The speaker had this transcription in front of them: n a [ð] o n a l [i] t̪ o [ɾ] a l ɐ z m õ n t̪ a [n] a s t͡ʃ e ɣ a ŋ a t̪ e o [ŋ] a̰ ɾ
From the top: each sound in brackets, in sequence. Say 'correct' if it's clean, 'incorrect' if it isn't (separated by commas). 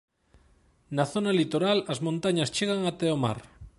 incorrect, correct, correct, incorrect, incorrect